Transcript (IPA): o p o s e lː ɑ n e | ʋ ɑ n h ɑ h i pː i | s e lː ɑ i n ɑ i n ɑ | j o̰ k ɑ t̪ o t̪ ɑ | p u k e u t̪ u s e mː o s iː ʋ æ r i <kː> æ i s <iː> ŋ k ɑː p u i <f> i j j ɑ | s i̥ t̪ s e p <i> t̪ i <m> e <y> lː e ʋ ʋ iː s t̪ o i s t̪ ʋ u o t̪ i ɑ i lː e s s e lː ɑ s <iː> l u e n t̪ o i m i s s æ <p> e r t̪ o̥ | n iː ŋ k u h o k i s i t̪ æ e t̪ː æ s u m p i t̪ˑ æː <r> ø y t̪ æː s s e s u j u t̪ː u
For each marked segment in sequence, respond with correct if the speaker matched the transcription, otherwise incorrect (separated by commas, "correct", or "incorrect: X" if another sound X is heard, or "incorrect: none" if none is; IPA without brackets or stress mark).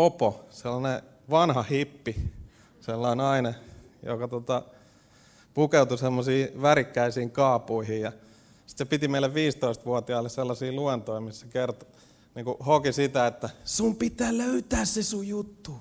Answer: correct, correct, incorrect: h, correct, correct, incorrect: i, correct, incorrect: k, incorrect: l